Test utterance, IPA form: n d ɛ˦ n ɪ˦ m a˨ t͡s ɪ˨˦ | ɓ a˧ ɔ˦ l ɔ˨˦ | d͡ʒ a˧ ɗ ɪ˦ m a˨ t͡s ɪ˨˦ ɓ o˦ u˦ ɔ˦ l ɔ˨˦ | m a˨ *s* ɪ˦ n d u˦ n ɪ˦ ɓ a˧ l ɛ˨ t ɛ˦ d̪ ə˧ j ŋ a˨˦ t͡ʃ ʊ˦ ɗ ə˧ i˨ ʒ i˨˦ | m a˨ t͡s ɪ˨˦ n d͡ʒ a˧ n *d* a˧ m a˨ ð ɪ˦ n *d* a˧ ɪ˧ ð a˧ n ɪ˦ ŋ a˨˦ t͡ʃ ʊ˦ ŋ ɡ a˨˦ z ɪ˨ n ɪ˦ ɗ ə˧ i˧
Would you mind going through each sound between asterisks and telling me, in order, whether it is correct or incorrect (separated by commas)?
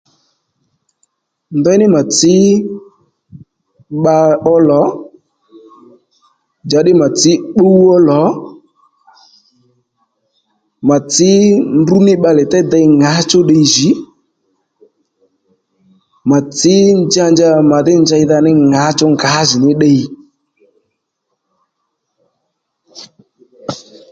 incorrect, incorrect, incorrect